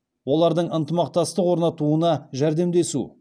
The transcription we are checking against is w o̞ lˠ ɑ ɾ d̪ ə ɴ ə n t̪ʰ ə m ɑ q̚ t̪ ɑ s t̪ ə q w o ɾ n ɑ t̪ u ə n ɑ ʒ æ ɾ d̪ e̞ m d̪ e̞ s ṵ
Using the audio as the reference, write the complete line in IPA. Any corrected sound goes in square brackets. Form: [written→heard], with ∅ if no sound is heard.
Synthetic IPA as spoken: w o̞ lˠ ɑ ɾ d̪ ə ɴ ə n [t̪ʰ→t̪] ə m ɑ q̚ t̪ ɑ s t̪ ə q w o ɾ n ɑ t̪ u ə n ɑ ʒ æ ɾ d̪ e̞ m d̪ e̞ s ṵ

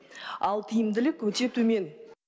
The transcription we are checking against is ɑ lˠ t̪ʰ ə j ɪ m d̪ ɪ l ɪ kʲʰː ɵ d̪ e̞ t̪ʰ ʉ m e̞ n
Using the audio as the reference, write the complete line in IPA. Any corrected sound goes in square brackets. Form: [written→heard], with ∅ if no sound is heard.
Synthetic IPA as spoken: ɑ lˠ t̪ʰ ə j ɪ m d̪ ɪ l ɪ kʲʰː ɵ [d̪→t̪] e̞ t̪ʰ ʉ m e̞ n

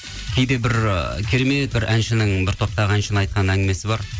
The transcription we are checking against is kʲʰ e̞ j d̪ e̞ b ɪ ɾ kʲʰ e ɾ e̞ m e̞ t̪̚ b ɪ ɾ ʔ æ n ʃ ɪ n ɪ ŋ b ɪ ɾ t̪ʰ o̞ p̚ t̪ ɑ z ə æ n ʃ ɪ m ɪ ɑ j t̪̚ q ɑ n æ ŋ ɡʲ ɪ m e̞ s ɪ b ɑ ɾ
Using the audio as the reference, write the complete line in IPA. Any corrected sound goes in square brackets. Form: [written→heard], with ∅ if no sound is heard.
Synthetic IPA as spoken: kʲʰ e̞ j d̪ e̞ b ɪ ɾ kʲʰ e ɾ e̞ m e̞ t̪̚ b ɪ ɾ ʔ æ n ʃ ɪ n ɪ ŋ b ɪ ɾ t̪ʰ o̞ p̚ t̪ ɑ [z→ʁ] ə æ n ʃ ɪ [m→n] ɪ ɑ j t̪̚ q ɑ n æ ŋ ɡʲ ɪ m e̞ s ɪ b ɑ ɾ

